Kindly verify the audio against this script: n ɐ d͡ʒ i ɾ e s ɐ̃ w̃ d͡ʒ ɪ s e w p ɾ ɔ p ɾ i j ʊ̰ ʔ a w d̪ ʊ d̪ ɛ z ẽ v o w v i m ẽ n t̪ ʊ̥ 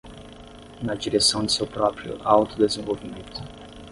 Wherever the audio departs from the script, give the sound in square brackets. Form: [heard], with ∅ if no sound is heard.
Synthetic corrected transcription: n ɐ d͡ʒ i ɾ e s ɐ̃ w̃ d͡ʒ ɪ s e w p ɾ ɔ p ɾ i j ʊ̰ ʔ a w [t̪] ʊ d̪ [e] z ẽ v o w v i m ẽ n t̪ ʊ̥